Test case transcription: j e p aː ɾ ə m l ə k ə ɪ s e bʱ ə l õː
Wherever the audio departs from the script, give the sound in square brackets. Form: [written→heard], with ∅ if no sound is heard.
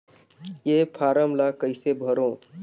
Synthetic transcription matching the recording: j e [p→pʰ] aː ɾ ə m l [ə→a] k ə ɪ s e bʱ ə [l→ɾ] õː